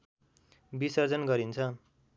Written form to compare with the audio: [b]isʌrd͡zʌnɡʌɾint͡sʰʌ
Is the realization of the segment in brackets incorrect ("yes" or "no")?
no